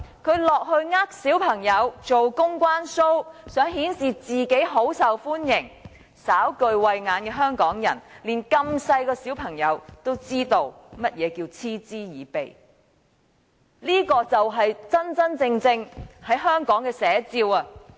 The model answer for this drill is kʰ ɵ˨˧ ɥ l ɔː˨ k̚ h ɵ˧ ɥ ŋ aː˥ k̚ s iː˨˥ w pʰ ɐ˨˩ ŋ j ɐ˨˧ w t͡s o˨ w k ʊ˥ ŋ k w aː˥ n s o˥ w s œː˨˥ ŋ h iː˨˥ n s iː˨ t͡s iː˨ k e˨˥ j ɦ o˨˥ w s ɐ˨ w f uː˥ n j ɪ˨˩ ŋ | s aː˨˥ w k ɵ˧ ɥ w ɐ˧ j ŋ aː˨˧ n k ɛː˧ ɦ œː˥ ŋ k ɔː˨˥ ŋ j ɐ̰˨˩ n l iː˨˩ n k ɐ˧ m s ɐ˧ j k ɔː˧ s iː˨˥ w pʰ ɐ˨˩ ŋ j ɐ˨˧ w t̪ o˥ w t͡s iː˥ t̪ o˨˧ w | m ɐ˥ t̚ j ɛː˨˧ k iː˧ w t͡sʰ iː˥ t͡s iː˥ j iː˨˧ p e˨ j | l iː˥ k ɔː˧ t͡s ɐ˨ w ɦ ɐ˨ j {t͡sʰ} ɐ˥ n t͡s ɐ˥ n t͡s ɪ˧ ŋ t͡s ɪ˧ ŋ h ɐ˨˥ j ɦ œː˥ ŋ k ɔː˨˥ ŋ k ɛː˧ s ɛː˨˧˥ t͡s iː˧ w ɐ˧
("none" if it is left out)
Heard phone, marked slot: t͡s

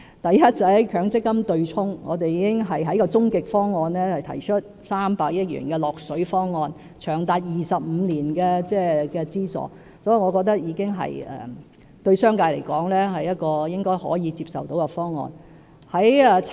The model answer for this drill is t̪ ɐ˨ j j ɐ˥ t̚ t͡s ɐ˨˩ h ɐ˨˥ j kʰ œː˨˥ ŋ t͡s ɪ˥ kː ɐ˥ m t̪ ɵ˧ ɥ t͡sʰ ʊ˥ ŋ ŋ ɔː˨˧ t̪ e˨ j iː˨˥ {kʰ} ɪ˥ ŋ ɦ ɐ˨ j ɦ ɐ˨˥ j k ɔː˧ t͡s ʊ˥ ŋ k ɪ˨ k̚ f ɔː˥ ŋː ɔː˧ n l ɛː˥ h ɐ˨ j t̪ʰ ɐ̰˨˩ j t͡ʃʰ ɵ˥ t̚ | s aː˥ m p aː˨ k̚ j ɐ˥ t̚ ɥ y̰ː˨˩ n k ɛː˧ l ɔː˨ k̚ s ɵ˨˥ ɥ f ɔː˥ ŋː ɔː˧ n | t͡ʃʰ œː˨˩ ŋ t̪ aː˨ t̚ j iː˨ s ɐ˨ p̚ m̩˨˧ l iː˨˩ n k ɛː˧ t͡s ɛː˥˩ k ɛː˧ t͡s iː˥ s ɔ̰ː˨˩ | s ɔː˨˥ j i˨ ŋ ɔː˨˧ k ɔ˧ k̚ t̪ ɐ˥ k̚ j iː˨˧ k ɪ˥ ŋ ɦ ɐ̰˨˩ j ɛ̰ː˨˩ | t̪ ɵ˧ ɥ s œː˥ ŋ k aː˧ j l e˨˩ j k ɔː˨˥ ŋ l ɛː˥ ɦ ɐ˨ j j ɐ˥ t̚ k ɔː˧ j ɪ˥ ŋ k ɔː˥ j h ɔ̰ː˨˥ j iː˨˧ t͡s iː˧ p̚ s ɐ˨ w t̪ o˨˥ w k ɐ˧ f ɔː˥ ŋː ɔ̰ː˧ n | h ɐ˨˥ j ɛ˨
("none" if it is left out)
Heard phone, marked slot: k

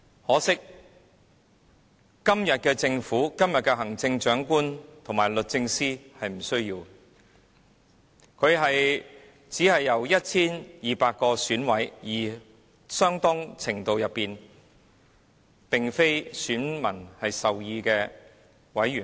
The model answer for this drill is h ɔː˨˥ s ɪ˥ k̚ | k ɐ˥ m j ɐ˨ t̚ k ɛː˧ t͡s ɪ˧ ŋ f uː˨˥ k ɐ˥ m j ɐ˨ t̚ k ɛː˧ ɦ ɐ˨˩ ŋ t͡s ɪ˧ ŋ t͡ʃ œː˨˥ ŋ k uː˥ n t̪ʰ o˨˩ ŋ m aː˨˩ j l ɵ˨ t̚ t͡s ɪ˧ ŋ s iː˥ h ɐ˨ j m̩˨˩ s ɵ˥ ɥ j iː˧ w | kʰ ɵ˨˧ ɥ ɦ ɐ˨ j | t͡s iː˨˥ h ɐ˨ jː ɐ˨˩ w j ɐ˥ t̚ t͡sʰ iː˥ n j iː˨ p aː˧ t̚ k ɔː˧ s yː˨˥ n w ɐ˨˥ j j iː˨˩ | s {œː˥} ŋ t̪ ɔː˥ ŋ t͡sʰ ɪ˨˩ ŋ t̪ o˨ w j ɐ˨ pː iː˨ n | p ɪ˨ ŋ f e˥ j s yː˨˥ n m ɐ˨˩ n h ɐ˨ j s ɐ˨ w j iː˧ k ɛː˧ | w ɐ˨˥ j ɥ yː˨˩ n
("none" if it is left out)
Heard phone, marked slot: œː˥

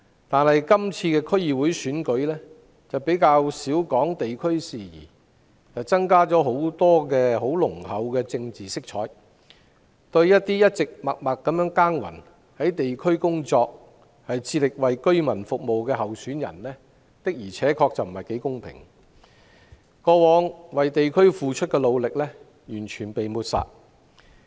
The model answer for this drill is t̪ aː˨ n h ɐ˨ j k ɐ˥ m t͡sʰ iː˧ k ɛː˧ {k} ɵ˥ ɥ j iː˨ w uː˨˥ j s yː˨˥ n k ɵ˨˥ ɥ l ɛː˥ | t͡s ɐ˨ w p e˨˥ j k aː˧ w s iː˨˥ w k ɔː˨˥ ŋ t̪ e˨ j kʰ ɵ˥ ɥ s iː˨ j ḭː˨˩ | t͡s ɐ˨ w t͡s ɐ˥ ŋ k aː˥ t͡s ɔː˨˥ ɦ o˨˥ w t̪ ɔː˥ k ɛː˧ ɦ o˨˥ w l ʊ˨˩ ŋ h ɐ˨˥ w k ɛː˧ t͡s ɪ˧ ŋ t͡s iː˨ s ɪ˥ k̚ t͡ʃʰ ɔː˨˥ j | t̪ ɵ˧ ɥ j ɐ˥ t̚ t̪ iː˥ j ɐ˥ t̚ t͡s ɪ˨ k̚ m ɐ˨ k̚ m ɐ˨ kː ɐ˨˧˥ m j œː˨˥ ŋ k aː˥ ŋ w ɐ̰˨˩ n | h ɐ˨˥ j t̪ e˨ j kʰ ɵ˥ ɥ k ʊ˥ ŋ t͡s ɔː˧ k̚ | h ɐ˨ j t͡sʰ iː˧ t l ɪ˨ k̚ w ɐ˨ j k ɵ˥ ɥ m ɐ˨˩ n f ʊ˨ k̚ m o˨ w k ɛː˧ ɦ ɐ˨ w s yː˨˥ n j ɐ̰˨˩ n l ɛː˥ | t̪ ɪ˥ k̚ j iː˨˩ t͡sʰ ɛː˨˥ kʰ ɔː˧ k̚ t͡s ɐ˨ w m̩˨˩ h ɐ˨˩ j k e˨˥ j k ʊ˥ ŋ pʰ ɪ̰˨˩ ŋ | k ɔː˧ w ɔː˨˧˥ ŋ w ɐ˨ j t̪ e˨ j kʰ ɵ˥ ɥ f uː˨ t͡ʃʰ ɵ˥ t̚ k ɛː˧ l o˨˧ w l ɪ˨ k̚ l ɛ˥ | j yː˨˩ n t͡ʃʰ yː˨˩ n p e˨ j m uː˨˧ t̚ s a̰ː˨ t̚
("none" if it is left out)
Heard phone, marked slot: kʰ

